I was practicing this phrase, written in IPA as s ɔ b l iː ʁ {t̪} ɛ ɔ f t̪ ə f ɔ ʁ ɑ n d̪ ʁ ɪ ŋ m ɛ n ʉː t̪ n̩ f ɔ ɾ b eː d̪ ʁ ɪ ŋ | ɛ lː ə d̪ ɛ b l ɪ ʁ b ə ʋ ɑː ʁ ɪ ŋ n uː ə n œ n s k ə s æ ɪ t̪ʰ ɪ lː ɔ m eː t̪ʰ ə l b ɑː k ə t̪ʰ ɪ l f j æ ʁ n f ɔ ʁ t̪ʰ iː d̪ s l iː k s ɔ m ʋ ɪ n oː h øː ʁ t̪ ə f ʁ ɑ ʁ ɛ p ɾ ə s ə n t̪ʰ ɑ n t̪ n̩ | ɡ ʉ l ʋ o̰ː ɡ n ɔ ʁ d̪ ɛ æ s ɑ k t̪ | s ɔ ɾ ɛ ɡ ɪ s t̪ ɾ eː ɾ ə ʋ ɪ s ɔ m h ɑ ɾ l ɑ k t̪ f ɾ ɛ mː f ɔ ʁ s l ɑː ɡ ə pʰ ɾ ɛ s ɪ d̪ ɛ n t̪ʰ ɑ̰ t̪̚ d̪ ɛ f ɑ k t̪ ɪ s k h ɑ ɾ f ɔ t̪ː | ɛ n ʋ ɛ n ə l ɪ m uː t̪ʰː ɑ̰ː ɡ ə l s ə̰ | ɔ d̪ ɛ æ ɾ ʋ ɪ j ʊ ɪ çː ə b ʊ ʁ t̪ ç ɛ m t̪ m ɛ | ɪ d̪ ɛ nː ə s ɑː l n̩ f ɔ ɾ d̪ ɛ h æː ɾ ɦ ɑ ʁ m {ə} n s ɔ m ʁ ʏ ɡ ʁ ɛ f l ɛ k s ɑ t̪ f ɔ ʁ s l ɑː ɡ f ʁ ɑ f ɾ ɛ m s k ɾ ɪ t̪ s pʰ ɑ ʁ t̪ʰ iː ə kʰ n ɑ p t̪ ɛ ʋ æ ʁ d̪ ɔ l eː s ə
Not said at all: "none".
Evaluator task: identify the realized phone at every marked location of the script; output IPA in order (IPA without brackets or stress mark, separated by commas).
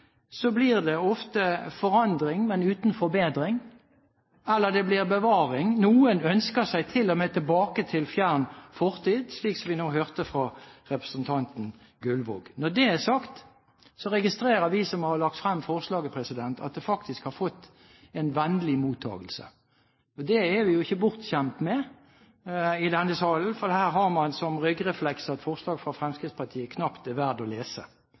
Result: d̪, ɑ